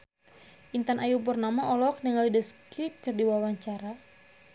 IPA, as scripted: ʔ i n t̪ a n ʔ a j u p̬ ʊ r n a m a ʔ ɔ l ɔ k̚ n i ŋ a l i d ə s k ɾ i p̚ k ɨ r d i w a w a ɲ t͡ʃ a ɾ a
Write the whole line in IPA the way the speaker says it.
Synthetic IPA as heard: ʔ i n t̪ a n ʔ a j u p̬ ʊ r n a m a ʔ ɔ l ɔ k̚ n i ŋ a l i d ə s k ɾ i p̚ k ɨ r d i w a w a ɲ t͡ʃ a ɾ a